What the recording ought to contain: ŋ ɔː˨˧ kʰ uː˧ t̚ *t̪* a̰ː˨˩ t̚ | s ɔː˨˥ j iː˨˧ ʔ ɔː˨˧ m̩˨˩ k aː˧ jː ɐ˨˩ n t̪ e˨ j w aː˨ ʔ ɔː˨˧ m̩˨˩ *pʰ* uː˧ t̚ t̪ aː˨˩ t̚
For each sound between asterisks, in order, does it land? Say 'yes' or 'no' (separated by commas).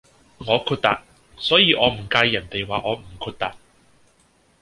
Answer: yes, no